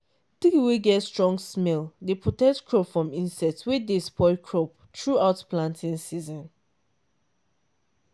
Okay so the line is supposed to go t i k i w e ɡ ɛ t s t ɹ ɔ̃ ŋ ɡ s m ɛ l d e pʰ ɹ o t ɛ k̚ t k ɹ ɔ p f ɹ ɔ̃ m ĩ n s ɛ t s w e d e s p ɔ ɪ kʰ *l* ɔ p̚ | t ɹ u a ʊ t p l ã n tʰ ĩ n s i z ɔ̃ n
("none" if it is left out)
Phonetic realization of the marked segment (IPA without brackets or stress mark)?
ɹ